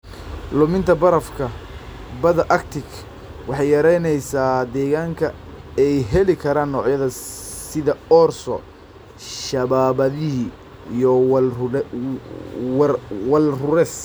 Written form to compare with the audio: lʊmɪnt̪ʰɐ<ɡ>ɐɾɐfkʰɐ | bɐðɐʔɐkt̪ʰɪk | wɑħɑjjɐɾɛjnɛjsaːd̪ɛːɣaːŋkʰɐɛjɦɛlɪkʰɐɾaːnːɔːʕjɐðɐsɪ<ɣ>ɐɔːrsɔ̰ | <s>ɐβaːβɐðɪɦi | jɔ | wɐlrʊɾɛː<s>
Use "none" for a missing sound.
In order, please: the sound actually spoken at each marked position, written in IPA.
b, ð, ʃ, s

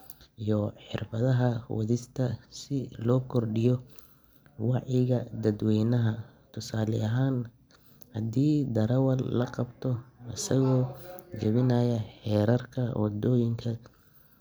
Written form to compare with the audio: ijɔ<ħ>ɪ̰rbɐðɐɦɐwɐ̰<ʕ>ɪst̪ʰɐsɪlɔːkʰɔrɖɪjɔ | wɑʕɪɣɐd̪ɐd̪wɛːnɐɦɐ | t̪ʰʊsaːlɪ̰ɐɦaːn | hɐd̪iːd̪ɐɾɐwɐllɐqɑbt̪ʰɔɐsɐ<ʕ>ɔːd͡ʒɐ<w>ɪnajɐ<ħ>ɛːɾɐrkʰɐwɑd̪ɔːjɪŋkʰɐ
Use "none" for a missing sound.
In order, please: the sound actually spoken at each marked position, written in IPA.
ħ, ð, ɣ, β, ħ

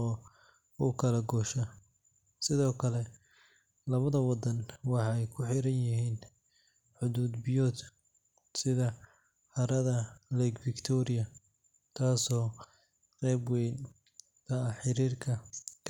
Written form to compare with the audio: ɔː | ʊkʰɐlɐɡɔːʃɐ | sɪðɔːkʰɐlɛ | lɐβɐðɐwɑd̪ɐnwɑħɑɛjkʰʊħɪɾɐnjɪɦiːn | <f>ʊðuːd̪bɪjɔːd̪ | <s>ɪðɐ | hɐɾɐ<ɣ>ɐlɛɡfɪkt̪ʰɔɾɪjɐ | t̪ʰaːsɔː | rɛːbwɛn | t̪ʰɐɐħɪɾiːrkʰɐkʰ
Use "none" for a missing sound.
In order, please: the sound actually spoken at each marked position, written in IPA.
ħ, s, ð

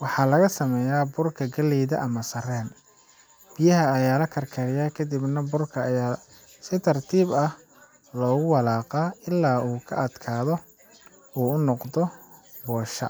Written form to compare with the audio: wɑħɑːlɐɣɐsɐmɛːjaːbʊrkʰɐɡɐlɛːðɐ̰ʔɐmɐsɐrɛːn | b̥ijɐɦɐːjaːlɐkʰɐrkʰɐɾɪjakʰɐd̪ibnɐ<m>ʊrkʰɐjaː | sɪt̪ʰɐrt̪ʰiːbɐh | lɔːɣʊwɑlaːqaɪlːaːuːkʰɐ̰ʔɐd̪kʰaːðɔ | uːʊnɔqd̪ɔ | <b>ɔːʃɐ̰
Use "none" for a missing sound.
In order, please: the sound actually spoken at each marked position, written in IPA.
b, b

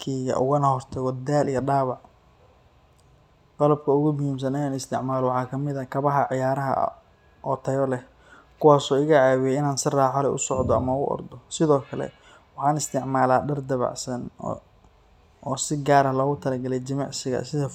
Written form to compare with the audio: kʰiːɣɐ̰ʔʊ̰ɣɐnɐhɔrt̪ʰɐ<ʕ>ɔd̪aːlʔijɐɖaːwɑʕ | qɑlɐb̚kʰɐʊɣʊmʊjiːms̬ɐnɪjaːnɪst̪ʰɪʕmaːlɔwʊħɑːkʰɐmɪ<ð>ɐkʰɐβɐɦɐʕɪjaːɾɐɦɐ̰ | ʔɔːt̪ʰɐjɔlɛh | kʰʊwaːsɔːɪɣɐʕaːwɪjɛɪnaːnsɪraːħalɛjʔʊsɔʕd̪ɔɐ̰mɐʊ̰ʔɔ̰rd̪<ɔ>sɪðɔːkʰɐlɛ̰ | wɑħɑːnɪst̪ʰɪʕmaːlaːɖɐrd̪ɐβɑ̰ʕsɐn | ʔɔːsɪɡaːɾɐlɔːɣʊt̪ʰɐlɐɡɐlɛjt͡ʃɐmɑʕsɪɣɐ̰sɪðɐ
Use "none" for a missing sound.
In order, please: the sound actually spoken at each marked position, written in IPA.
ɣ, ð, ɔ

